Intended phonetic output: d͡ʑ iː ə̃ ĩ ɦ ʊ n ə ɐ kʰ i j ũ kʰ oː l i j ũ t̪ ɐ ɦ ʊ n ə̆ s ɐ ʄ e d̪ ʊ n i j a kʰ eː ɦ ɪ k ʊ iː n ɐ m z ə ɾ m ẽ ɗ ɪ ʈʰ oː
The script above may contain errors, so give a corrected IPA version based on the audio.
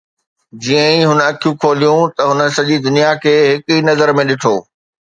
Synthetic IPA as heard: d͡ʑ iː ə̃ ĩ ɦ ʊ n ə ɐ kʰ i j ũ kʰ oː l i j ũ t̪ ɐ ɦ ʊ n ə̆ s ɐ ʄ i d̪ ʊ n i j a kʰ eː ɦ ɪ k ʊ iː n ɐ z ə ɾ m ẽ ɗ ɪ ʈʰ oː